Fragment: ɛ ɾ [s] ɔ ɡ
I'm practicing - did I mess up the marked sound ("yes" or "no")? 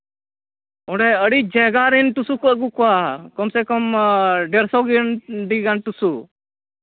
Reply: no